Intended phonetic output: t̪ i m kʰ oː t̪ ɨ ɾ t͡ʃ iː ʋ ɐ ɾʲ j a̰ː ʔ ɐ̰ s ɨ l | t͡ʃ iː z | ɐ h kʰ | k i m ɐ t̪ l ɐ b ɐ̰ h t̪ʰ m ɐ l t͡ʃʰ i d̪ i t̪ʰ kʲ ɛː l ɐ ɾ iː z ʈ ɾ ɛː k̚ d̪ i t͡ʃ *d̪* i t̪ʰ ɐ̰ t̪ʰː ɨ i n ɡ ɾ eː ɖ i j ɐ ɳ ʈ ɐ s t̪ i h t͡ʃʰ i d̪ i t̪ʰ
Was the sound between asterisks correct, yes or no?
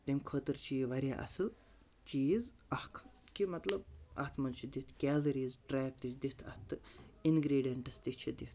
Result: yes